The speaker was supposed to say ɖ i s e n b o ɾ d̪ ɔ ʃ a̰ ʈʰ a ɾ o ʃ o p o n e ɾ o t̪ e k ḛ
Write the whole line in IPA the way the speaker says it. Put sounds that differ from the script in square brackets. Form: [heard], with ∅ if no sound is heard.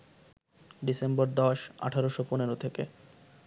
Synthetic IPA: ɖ i s e [m] b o ɾ d̪ ɔ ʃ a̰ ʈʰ a ɾ o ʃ o p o n e ɾ o [t̪ʰ] e k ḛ